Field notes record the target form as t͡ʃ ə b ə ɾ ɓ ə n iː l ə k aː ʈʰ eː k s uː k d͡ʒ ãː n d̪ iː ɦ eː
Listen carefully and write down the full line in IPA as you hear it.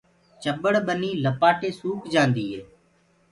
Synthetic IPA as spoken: t͡ʃ ə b ə ɽ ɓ ə n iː l ə p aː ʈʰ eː s uː k d͡ʒ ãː n d̪ iː ɦ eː